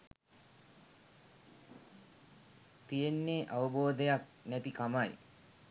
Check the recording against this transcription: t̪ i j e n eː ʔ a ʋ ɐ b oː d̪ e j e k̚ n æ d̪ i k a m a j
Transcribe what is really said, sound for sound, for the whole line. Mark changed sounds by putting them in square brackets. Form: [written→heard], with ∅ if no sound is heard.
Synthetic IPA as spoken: t̪ i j e [n→nː] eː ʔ a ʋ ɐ b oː d̪ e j [e→a] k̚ n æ [d̪→t̪] i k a m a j